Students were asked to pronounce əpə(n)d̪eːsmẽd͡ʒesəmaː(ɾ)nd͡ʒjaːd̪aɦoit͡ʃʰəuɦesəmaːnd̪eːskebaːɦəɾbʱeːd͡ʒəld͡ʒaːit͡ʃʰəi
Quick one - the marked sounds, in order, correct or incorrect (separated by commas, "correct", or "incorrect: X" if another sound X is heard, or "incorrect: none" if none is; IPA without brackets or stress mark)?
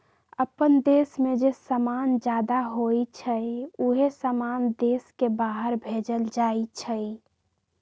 correct, incorrect: none